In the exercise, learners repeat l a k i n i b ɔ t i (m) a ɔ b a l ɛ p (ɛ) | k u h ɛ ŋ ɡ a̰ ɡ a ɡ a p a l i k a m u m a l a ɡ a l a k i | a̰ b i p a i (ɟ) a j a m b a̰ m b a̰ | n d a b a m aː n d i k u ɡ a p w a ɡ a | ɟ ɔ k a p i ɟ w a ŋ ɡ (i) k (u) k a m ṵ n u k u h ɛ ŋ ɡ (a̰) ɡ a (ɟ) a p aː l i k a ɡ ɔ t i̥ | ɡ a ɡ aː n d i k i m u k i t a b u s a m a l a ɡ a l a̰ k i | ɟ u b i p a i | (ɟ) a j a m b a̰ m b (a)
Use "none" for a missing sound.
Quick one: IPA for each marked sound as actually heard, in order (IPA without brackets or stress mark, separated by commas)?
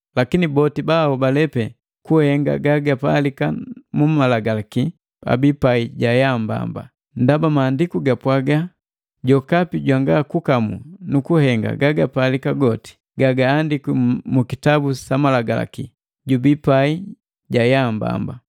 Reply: b, ɛ, ɟ, a, u, a̰, ɡ, ɟ, a